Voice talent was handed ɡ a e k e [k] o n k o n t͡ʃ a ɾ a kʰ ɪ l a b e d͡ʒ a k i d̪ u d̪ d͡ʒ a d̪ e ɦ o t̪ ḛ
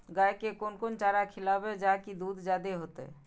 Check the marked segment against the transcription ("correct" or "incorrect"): correct